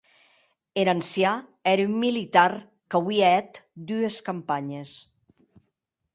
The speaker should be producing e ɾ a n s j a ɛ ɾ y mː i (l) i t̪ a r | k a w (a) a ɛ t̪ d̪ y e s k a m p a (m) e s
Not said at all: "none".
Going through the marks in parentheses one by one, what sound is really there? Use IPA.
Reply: l, i, ɲ

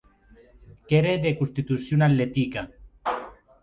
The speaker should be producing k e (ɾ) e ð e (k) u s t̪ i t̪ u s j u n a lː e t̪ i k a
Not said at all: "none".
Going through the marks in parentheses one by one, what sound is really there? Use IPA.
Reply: ɾ, k

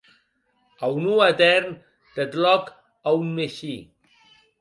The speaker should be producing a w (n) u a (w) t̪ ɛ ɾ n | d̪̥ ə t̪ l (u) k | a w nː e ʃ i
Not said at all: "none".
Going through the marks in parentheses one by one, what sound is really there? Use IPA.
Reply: n, none, ɔ

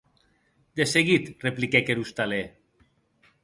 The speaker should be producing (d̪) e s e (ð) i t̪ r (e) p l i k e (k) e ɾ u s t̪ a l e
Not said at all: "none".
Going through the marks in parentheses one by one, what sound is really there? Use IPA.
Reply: d̪, ɣ, e, k

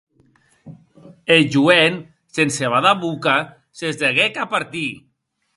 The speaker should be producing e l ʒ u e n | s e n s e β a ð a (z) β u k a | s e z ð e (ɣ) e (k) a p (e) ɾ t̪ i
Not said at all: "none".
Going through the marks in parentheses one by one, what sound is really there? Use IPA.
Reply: none, ɣ, k, a

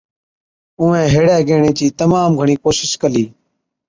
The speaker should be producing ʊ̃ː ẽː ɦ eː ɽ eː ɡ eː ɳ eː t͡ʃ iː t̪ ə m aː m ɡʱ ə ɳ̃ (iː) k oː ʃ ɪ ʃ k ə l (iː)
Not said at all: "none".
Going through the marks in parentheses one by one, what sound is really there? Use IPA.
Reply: iː, iː

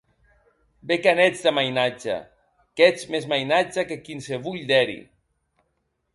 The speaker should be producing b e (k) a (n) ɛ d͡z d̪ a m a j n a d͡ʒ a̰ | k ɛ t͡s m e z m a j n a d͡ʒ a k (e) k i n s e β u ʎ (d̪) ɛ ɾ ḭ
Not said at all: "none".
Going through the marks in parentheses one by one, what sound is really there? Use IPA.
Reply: k, n, e, d̪

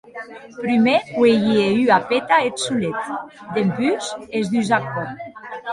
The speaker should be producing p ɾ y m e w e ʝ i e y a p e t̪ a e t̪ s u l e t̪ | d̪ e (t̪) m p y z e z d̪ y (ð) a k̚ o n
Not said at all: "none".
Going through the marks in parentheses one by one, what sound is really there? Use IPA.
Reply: none, z

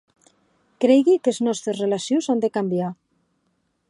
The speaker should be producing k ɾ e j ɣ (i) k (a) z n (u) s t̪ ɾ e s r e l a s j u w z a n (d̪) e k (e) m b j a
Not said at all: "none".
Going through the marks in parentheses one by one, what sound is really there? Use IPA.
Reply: i, e, ɔ, d̪, a

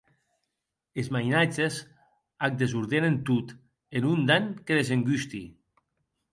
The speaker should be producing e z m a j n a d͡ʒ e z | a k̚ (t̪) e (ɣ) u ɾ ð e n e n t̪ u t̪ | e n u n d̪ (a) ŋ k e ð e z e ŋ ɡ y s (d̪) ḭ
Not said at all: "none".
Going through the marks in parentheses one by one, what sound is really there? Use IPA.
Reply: d̪, z, a, t̪

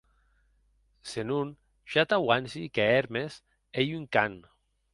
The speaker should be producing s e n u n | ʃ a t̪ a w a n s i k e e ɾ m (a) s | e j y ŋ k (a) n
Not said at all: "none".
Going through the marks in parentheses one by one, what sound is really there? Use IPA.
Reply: e, a

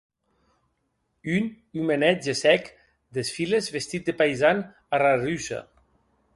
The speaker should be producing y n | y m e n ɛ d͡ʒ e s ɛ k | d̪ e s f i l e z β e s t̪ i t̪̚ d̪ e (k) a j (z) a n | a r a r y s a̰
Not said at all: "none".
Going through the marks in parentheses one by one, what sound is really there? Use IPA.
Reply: p, z

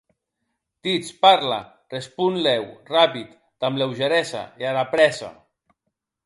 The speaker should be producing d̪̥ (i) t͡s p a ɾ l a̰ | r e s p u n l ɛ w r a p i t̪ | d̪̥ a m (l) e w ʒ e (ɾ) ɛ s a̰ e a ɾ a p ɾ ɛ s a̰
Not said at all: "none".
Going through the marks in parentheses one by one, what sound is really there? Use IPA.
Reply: i, l, ɾ

